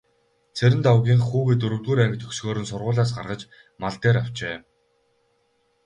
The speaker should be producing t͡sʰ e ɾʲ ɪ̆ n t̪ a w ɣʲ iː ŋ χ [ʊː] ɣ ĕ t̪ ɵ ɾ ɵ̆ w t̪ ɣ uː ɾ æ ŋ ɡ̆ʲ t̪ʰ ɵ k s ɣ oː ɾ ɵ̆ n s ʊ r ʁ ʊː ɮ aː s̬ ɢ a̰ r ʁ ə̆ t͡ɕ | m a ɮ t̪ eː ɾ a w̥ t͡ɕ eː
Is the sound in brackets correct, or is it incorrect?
incorrect